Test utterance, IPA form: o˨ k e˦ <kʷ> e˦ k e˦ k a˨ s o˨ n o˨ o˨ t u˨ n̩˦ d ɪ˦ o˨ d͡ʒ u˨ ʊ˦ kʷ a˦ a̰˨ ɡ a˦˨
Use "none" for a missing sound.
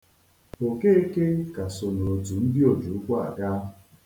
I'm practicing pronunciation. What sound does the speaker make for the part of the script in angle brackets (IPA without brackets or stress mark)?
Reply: none